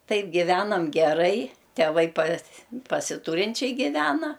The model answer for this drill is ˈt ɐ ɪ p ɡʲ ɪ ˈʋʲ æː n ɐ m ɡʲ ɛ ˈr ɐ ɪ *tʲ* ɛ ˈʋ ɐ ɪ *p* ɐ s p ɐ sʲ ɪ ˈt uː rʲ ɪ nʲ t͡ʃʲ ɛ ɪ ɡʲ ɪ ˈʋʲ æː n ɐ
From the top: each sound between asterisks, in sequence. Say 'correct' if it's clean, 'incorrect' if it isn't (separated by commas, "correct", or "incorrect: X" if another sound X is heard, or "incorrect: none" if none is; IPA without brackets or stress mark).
correct, correct